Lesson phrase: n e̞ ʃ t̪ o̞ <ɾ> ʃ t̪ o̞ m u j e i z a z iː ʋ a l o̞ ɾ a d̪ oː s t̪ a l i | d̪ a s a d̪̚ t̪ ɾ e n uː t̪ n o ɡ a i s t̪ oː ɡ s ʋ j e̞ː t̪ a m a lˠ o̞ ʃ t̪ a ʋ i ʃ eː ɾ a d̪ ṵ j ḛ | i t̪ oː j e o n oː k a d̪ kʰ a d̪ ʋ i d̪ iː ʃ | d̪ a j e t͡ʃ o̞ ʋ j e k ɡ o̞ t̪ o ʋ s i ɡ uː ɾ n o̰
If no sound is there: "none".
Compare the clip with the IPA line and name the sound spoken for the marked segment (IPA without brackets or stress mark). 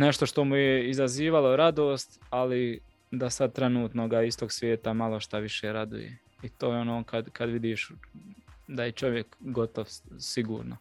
none